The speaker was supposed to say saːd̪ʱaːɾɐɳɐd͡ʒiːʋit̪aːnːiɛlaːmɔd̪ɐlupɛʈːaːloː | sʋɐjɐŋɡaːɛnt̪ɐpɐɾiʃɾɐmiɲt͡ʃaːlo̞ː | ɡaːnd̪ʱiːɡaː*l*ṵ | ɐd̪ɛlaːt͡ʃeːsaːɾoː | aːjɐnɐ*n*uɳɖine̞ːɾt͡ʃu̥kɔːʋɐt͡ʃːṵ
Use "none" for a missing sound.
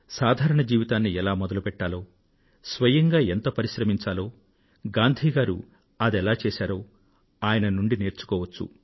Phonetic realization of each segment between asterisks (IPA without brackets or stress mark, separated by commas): ɾ, n